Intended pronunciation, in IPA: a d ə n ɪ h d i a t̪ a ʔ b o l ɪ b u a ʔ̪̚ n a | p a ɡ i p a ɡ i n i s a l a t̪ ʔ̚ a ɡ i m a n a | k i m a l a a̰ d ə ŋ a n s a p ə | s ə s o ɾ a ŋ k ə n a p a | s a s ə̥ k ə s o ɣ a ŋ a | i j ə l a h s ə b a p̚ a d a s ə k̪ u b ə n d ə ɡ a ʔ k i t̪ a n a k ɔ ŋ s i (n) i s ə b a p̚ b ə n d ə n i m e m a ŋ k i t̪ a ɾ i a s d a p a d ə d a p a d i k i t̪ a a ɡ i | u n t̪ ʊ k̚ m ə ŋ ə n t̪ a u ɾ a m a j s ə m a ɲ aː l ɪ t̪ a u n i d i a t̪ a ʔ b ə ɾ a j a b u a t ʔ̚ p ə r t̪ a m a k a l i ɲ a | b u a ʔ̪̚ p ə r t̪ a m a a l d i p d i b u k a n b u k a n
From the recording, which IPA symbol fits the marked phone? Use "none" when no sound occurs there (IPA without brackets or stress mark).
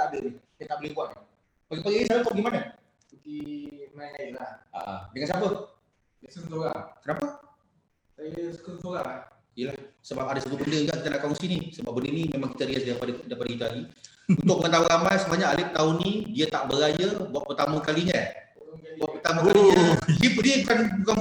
n